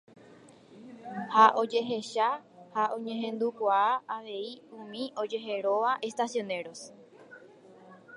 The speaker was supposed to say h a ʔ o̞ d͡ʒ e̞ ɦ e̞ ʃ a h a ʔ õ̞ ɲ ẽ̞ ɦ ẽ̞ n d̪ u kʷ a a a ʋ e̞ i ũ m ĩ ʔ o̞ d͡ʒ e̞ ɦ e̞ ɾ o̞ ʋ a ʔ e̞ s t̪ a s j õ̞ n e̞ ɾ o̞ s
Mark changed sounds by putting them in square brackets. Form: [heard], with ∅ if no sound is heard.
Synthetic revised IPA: h a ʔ o̞ d͡ʒ e̞ ɦ e̞ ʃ a h a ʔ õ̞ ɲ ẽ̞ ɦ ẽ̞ n d̪ u kʷ a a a ʋ e̞ i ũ m ĩ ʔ o̞ d͡ʒ e̞ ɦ e̞ ɾ o̞ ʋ a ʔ e̞ s t̪ a s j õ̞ n e̞ ɾ o̞ s